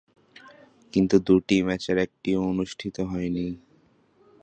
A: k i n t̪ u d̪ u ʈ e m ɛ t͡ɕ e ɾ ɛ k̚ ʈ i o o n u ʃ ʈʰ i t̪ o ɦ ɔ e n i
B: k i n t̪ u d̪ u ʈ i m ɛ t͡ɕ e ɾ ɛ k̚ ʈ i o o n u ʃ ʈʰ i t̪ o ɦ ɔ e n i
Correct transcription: B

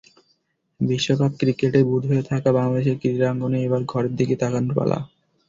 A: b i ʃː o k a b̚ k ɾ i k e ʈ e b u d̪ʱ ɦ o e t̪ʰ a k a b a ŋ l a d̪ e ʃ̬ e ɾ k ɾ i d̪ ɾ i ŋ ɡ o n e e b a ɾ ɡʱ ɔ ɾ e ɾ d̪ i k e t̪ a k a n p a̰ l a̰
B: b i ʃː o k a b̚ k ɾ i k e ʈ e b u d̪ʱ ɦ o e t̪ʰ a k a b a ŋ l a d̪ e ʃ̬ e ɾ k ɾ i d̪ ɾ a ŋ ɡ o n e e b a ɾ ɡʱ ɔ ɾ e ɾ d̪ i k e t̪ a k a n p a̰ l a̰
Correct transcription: B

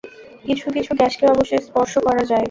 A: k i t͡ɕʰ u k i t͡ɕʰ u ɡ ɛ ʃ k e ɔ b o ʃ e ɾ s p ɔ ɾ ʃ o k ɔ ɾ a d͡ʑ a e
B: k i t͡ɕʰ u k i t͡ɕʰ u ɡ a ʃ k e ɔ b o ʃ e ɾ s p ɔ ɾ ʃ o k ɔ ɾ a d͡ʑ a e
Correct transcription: A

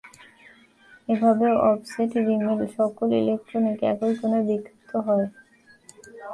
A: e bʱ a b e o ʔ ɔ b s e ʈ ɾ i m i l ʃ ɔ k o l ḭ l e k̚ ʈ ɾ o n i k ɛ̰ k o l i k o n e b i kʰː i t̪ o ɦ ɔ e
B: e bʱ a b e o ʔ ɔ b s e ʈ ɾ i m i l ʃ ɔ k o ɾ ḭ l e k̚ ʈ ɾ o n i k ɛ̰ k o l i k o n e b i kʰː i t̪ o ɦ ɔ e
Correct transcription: A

